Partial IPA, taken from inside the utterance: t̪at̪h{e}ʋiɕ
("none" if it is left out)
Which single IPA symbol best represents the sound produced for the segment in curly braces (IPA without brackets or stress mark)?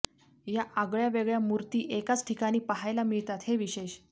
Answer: e